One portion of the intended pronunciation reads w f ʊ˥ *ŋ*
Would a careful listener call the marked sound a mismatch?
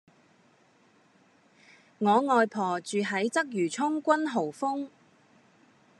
no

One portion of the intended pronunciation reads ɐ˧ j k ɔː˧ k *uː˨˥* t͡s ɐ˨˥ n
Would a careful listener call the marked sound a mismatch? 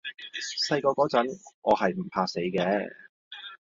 yes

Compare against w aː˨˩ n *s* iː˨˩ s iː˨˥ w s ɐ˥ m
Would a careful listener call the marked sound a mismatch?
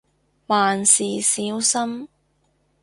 no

